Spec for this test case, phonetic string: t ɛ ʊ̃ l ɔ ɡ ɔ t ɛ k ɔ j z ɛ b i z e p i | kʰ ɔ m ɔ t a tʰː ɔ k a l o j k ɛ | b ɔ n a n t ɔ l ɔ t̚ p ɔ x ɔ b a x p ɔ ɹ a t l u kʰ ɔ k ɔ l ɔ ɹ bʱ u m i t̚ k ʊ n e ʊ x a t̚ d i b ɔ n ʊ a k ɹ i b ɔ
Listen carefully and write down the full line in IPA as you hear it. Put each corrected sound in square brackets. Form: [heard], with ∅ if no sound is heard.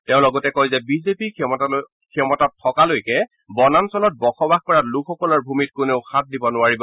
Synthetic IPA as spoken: t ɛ ʊ̃ l ɔ ɡ ɔ t ɛ k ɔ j z ɛ b i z e p i | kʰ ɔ m ɔ t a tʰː ɔ k a l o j k ɛ | b ɔ n a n [s] ɔ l ɔ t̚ [b] ɔ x ɔ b a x [k] ɔ ɹ a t l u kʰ ɔ k ɔ l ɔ ɹ bʱ u m i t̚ k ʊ n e ʊ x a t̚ d i b ɔ n ʊ a [∅] ɹ i b ɔ